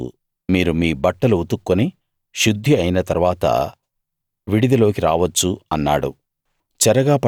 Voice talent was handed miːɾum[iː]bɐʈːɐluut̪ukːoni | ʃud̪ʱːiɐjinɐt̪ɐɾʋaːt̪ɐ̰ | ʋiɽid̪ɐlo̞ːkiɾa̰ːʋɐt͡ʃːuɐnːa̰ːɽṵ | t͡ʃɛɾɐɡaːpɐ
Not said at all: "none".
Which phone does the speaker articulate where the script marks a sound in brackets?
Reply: iː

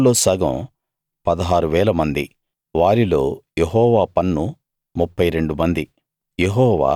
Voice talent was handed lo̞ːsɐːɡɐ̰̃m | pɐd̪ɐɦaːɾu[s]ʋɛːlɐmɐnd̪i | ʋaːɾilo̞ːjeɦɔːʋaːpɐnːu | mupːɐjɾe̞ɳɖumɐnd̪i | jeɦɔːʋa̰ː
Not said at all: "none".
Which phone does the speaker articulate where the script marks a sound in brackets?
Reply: none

